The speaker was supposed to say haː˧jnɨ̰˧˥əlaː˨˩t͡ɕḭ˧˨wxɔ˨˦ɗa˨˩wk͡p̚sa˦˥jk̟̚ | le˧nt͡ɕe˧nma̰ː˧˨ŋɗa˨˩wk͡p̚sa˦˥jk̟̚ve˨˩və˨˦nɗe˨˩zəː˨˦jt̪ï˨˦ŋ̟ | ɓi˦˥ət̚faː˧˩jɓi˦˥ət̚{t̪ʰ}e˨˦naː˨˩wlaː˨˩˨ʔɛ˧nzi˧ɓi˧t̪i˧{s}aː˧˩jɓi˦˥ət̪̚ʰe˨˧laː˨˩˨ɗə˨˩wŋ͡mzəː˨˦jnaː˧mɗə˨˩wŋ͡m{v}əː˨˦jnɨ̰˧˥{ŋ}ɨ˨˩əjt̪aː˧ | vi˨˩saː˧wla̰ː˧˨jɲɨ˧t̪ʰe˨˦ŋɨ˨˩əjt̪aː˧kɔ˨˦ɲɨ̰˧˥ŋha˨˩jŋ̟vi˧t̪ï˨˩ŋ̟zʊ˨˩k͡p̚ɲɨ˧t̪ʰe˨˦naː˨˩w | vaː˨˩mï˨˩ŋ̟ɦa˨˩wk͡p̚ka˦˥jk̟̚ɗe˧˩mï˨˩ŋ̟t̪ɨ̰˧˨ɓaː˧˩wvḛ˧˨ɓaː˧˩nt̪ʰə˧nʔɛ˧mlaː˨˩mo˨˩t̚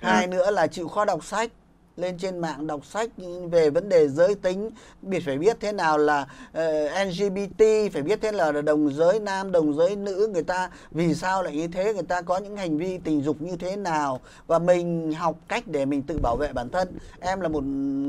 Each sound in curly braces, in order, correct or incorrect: correct, incorrect: f, incorrect: z, correct

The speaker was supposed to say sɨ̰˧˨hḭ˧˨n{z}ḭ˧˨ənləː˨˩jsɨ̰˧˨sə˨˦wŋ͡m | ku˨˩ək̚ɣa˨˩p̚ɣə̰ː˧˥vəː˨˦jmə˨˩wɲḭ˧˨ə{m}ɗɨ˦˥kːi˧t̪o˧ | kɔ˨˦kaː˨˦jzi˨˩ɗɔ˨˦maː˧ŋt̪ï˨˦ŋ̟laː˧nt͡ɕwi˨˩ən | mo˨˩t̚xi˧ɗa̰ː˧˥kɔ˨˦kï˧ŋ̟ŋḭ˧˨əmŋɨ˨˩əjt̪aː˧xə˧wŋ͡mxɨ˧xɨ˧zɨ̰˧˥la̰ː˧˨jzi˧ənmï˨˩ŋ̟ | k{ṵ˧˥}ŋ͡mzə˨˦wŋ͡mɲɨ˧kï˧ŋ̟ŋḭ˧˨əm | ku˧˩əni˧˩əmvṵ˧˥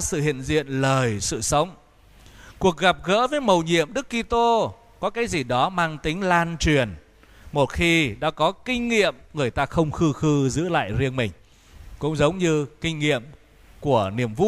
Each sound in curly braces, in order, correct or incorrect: correct, correct, incorrect: ʊ̰˧˥

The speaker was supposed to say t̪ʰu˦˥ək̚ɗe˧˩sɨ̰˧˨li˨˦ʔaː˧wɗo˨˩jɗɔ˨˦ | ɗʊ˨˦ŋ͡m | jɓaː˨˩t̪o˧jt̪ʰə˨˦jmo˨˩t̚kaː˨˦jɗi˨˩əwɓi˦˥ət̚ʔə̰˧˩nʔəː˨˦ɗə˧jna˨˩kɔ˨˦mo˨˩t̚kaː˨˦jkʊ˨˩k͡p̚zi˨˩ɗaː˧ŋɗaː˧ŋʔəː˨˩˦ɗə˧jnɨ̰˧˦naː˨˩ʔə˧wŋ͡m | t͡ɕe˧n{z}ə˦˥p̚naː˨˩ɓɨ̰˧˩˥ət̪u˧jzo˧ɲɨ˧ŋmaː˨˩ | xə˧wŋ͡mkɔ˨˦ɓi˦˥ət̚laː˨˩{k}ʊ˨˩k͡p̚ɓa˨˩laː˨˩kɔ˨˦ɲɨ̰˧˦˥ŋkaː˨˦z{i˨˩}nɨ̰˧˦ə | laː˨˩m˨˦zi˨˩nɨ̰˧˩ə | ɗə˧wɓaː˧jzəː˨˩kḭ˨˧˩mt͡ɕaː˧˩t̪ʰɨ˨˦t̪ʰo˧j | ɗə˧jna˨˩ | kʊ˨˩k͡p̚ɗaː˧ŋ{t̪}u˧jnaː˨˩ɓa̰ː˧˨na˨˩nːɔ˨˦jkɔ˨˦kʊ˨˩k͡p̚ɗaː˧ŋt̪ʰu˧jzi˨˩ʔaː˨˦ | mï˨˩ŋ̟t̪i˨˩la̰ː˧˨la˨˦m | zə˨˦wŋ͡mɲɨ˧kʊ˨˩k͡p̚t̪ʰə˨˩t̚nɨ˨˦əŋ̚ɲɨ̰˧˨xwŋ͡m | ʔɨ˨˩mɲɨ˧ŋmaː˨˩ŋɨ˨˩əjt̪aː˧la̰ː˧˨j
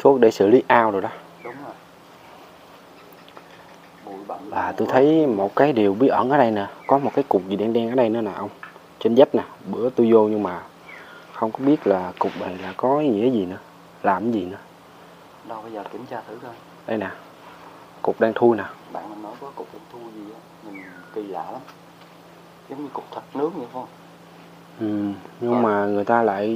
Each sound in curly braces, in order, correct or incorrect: correct, correct, correct, incorrect: t̪ʰ

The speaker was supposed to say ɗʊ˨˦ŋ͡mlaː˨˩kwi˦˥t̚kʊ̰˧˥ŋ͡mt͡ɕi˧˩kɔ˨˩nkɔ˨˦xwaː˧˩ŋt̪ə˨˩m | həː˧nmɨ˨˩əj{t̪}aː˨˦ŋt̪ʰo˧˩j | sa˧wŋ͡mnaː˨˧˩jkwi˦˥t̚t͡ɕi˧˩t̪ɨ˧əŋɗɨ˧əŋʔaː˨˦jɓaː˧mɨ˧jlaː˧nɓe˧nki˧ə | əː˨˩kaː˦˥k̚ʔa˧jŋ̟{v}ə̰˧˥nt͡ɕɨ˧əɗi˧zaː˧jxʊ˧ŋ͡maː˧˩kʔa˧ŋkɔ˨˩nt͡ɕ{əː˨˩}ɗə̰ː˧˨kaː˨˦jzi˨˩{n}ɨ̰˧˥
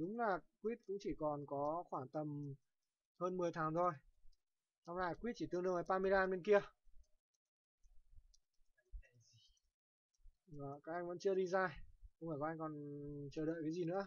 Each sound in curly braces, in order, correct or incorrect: incorrect: t̪ʰ, correct, correct, correct

